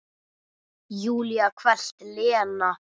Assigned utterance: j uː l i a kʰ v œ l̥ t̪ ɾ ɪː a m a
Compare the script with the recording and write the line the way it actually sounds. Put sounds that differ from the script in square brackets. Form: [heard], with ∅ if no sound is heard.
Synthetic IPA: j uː l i a kʰ v [ɛ] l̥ t̪ [l] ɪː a [n] a